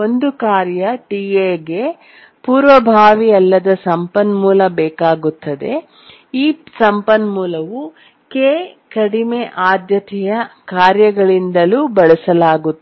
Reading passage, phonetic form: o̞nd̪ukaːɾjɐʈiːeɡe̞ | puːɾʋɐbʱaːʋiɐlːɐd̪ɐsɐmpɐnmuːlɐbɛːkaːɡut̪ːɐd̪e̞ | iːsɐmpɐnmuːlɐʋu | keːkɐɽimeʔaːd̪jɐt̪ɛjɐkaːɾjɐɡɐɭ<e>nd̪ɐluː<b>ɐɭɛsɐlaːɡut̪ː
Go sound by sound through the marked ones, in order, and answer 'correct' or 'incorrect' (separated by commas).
incorrect, correct